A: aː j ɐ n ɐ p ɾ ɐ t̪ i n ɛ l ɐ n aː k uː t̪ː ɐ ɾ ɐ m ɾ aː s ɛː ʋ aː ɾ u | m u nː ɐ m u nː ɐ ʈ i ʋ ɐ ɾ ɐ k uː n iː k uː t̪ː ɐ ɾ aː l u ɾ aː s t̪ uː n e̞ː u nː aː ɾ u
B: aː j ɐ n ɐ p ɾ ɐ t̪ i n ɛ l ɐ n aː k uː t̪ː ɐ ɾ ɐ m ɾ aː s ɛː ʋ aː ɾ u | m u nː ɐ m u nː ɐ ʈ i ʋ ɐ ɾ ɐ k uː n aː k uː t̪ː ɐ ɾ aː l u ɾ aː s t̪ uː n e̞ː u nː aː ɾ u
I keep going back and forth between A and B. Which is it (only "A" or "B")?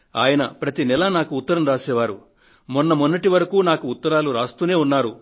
B